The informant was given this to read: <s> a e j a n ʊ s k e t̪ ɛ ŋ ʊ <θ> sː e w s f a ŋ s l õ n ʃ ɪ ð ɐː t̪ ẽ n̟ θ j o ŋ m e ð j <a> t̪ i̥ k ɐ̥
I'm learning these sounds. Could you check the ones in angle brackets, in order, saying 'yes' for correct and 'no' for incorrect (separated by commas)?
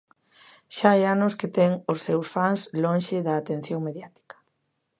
no, no, yes